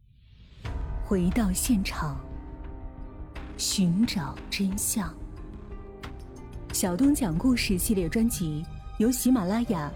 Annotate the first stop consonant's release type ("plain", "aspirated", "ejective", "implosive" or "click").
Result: plain